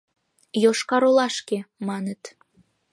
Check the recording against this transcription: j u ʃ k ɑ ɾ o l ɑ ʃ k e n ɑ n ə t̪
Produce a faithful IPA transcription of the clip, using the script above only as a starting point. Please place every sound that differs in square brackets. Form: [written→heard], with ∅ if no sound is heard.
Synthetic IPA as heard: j [u→o] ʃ k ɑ ɾ o l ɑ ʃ k e [n→m] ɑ n ə t̪